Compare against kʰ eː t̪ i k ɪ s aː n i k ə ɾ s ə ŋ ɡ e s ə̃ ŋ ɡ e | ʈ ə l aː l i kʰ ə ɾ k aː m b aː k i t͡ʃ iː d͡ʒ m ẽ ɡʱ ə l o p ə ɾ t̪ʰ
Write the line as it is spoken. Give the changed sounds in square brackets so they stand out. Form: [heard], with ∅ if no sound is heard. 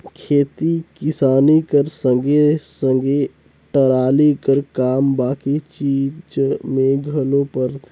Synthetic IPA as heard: kʰ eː t̪ i k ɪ s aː n i k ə ɾ s ə ŋ ɡ e s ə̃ ŋ ɡ e | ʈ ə [ɾ] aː l i [k] ə ɾ k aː m b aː k i t͡ʃ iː d͡ʒ m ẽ ɡʱ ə l o p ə ɾ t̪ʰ